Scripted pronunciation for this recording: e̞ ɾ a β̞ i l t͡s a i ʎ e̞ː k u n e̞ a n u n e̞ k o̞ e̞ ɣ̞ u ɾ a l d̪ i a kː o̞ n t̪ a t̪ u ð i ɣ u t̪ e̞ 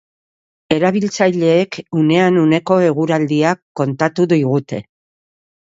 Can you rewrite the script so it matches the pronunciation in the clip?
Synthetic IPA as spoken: e̞ ɾ a β̞ i l t͡s a j ʎ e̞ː k u n e̞ a n u n e̞ k o̞ e̞ ɣ̞ u ɾ a l d̪ i a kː o̞ n t̪ a t̪ u ð i ɣ u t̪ e̞